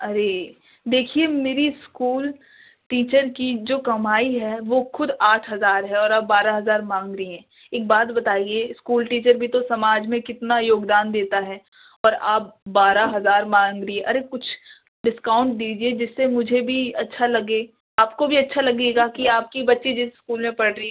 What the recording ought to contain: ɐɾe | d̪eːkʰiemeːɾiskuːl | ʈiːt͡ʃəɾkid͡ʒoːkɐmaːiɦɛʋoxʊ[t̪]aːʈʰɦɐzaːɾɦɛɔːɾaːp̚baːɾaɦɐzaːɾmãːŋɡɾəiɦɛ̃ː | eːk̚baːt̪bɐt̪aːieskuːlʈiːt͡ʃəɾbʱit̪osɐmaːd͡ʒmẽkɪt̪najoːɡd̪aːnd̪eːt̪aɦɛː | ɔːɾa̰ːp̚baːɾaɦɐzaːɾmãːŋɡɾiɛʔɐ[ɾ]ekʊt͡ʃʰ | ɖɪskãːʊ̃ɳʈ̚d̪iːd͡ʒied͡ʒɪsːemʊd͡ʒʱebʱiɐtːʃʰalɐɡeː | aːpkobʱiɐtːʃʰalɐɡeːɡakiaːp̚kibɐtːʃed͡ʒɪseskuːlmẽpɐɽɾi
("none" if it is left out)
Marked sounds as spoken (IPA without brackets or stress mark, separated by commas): d̪, ɾ